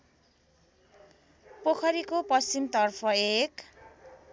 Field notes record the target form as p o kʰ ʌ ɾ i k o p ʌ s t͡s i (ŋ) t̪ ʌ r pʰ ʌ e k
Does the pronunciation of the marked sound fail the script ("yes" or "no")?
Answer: yes